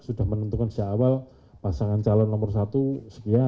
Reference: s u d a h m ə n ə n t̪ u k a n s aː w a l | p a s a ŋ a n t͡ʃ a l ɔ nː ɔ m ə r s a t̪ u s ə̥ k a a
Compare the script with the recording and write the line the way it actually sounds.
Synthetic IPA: s u d a h m ə n ə n t̪ u k a n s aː w a l | p a s a ŋ a n t͡ʃ a l ɔ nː ɔ m ə r s a t̪ u s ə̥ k i a